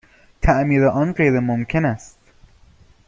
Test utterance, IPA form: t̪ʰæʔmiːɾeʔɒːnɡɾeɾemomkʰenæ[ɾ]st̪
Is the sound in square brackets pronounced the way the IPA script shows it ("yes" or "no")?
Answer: no